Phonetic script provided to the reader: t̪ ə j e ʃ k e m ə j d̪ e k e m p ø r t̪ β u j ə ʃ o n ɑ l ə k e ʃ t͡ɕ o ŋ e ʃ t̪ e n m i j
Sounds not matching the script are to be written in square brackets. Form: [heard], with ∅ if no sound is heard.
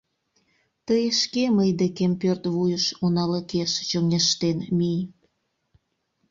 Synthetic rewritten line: t̪ ə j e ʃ k e m ə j d̪ e k e m p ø r t̪ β u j ə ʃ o n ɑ l ə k e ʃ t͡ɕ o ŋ e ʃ t̪ e n m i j